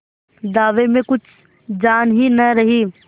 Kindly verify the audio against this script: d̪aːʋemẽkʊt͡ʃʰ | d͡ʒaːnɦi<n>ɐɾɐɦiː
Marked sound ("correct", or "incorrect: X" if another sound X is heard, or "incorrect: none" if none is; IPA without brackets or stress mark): correct